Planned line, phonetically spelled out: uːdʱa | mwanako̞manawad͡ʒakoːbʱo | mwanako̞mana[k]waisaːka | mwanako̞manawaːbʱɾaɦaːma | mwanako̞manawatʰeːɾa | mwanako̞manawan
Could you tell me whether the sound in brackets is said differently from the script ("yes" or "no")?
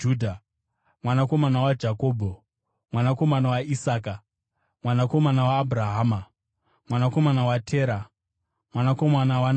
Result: yes